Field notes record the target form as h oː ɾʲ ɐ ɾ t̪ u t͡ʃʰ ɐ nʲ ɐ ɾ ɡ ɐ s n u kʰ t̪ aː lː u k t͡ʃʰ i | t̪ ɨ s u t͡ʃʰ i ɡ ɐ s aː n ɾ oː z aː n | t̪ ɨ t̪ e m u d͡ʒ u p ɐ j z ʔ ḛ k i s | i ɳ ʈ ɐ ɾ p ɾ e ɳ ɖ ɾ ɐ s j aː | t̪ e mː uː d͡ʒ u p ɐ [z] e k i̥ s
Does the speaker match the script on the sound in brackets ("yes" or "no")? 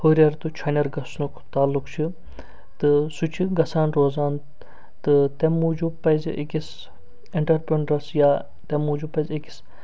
yes